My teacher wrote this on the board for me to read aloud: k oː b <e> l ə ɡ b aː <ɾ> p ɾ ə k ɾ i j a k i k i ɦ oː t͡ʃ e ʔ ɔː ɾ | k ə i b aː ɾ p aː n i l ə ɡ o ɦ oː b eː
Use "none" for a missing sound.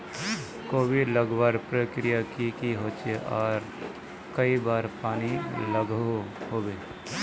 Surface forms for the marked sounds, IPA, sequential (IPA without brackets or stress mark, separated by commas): i, ɾ